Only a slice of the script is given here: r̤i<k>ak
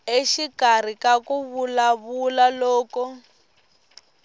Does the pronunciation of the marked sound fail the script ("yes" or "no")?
no